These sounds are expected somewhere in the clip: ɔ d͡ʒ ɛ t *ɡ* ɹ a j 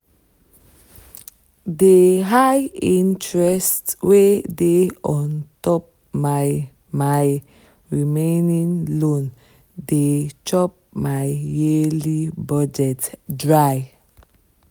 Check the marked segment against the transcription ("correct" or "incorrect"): incorrect